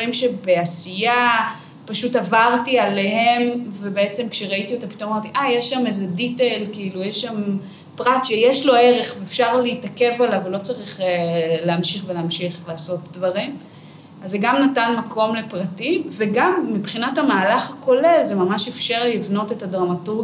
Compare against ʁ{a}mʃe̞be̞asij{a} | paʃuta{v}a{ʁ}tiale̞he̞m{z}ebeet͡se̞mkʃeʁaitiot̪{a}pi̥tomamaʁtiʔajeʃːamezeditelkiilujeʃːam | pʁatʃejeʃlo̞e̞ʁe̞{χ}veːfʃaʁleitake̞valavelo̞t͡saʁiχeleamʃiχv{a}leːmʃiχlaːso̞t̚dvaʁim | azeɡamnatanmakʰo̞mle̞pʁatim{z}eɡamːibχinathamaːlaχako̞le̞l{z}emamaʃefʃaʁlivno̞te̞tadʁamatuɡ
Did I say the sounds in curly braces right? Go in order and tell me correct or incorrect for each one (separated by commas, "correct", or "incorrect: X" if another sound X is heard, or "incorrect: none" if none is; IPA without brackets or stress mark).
incorrect: i, correct, correct, correct, incorrect: v, correct, correct, incorrect: e, incorrect: v, correct